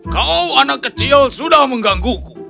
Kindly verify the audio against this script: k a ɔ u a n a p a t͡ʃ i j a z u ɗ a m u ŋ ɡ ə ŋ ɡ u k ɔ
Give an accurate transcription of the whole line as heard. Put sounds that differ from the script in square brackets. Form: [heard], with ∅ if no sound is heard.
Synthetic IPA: k a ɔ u a n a [k] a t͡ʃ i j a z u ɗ a m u ŋ ɡ [a] ŋ ɡ u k [u]